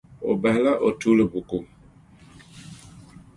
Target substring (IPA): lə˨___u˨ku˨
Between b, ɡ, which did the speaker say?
b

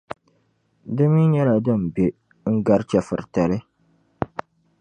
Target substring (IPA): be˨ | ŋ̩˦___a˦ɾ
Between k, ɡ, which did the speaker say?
ɡ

